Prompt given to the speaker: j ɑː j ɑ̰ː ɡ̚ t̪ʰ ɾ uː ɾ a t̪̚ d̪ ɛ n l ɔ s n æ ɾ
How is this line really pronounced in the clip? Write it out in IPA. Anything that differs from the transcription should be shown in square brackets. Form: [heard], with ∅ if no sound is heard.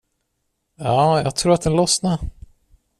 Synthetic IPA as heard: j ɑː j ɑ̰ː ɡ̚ t̪ʰ ɾ uː ɾ a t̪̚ d̪ ɛ n l ɔ s n [a] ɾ

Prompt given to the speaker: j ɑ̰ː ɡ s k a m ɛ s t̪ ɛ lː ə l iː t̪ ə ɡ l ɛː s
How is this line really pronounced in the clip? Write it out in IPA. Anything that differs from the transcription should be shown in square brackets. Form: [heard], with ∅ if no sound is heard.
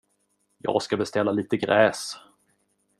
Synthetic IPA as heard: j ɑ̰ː ɡ s k a [b] ɛ s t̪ ɛ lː [a] l iː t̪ ə ɡ [ɾ] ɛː s

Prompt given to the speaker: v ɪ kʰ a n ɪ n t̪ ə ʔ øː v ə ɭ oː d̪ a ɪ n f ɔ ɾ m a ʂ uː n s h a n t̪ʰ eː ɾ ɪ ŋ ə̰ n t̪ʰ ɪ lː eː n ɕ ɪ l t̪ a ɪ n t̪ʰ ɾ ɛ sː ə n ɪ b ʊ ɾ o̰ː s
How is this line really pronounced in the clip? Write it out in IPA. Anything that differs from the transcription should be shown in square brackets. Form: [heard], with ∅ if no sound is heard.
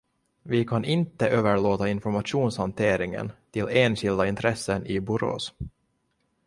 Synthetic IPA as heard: v ɪ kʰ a n ɪ n t̪ ə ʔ øː v ə ɭ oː [t̪] a ɪ n f ɔ ɾ m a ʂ uː n s h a n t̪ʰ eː ɾ ɪ ŋ ə̰ n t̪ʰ ɪ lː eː n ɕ ɪ l [d̪] a ɪ n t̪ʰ ɾ ɛ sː ə n ɪ b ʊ ɾ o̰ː s

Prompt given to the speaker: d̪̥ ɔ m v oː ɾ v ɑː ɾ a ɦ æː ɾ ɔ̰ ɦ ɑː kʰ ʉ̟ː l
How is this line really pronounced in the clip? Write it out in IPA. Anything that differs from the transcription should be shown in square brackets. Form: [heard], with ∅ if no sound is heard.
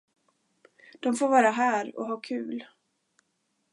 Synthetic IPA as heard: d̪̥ ɔ m [f] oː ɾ v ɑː ɾ a ɦ æː ɾ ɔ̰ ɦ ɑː kʰ ʉ̟ː l

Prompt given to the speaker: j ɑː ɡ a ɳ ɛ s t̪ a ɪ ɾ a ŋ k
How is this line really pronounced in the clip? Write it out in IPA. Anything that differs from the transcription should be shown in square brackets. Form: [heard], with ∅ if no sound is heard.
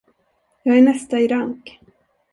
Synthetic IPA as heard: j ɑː ɡ [æ] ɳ ɛ s t̪ a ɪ ɾ a ŋ k

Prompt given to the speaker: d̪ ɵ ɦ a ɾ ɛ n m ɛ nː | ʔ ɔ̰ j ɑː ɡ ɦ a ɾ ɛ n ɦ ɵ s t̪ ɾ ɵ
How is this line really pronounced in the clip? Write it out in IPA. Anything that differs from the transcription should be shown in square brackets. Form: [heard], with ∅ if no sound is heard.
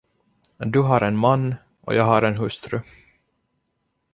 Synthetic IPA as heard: d̪ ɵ ɦ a ɾ ɛ n m [a] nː | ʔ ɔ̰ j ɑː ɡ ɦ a ɾ ɛ n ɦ ɵ s t̪ ɾ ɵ

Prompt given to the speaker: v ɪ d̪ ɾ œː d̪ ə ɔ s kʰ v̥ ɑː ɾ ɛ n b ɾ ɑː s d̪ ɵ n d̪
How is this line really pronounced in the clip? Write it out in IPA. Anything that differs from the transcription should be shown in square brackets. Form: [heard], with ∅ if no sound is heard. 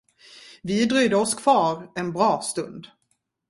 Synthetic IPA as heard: v ɪ d̪ ɾ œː d̪ ə ɔ s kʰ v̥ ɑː ɾ ɛ n b ɾ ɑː s [t̪] ɵ n d̪

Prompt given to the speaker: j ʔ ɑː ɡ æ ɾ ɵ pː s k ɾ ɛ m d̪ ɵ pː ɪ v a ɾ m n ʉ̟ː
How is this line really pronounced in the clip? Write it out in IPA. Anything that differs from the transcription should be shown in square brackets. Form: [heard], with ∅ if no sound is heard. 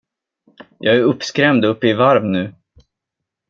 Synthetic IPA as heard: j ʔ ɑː ɡ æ ɾ ɵ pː s k ɾ ɛ m d̪ ɵ pː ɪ v a ɾ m n ʉ̟ː

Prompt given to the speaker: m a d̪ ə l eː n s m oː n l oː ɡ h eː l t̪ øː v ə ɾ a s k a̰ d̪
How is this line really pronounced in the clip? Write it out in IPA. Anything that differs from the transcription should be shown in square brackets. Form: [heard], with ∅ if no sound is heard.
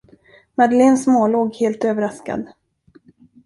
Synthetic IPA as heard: m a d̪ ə l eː n s m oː [∅] l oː ɡ h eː l t̪ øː v ə ɾ a s k a̰ d̪

